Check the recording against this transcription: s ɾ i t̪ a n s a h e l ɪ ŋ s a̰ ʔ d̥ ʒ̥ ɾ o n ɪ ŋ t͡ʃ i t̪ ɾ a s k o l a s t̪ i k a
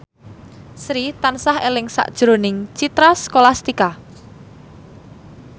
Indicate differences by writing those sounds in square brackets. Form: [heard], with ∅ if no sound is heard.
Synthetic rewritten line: s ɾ i t̪ a n s a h e l ɪ ŋ s a̰ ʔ d̥ ʒ̥ ɾ o n ɪ ŋ t͡ʃ i t̪ ɾ a s k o l a s t̪ i k a